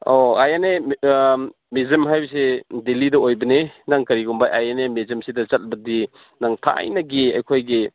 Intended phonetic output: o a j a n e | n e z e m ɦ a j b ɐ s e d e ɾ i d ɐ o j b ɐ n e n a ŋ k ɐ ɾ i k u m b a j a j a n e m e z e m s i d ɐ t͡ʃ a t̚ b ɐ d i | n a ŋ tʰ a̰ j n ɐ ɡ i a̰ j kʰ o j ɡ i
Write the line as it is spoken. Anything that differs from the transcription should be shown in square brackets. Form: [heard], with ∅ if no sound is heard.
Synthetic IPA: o a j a n e | [m] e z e m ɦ a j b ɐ s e d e [l] i d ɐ o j b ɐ n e n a ŋ k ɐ ɾ i [ɡ] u m b a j a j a n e m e z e m s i d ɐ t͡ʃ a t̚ b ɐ d i | n a ŋ tʰ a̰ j n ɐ ɡ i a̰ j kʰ o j ɡ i